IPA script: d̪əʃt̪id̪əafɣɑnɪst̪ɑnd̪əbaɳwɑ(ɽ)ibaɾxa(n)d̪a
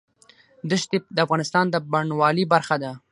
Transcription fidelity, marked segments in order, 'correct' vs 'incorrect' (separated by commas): incorrect, incorrect